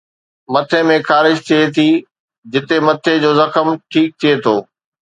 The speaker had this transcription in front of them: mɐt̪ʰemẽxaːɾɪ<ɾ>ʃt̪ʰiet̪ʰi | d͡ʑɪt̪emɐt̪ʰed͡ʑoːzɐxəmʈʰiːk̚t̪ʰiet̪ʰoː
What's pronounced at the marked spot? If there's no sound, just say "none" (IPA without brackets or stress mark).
none